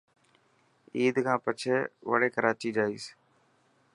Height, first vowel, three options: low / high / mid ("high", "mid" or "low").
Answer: high